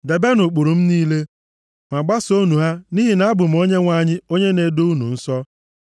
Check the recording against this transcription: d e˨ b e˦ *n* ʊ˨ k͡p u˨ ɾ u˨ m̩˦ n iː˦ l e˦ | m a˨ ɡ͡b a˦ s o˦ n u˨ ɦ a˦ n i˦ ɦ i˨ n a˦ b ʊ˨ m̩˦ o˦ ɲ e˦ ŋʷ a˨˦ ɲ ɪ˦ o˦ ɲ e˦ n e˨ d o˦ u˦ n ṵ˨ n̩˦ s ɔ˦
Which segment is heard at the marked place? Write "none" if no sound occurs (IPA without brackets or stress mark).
n